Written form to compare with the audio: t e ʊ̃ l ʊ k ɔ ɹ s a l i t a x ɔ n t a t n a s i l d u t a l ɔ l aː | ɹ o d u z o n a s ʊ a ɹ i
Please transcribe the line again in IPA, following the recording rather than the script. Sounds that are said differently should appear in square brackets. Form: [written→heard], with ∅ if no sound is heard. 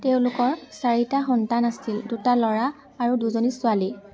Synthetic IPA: t e ʊ̃ l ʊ k ɔ ɹ s a [l→ɹ] i t a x ɔ n t a [t→∅] n a s i l d u t a l ɔ [l→ɹ] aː | ɹ [o→u] d u z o n [a→i] s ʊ a [ɹ→l] i